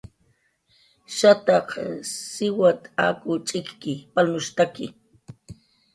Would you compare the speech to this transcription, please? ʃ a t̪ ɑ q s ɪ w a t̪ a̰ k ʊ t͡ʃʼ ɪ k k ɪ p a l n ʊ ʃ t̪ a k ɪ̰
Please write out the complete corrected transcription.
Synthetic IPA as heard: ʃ a t̪ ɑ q s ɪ w a t̪ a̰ k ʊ t͡ʃʼ ɪ k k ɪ p a l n ʊ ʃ t̪ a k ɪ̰